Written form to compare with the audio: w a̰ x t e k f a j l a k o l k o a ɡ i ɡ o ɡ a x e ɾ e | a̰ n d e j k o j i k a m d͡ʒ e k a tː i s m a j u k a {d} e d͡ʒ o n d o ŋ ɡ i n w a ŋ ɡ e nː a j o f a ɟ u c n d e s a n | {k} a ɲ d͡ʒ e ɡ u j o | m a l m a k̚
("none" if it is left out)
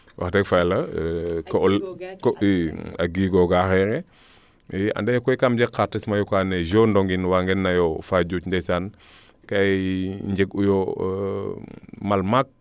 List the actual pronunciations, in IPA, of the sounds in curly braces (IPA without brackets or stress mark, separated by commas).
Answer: n, k